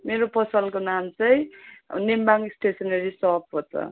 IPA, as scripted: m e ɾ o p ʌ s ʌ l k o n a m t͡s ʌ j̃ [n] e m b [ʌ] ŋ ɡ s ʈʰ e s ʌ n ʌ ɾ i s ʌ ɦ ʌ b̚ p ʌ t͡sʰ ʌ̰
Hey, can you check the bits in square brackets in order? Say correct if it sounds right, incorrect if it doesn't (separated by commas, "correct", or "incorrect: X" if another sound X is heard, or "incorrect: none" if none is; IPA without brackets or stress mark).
correct, incorrect: a